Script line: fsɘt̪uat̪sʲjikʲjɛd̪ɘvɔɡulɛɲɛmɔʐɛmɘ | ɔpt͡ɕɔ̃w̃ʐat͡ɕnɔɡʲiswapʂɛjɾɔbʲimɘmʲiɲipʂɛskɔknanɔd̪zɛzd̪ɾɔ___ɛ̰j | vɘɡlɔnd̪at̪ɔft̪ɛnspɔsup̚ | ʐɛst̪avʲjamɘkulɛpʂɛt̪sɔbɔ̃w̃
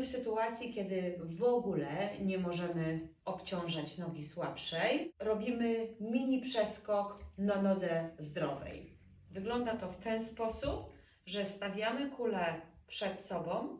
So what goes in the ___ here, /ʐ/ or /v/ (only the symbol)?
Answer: v